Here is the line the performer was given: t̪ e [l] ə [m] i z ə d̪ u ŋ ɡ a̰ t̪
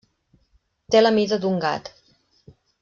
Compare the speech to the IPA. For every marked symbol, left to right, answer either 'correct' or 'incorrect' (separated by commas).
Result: correct, correct